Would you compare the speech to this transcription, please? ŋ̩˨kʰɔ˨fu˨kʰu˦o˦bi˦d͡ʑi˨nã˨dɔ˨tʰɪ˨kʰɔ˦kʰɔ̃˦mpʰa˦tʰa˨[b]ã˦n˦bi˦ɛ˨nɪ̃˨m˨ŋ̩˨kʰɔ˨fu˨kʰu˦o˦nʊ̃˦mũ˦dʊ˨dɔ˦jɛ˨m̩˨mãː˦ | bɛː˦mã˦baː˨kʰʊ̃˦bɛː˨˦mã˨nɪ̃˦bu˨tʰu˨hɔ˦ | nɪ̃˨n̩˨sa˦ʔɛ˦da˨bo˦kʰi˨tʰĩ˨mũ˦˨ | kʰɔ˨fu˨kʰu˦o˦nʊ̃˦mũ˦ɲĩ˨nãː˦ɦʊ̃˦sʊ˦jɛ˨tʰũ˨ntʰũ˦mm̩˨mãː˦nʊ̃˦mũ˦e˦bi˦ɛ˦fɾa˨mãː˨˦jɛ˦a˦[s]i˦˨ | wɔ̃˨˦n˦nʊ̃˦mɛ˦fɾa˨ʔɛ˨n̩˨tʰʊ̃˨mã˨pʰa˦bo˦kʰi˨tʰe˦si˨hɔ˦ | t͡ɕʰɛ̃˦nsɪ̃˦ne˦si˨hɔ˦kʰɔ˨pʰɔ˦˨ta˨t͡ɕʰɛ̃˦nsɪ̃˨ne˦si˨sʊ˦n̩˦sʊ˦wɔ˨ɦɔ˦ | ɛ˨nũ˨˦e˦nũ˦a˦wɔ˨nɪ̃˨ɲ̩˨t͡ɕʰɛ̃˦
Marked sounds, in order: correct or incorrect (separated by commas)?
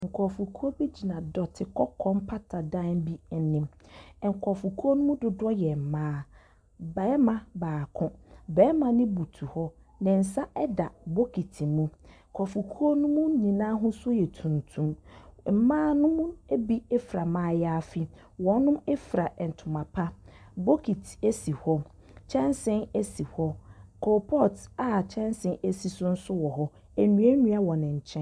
incorrect, incorrect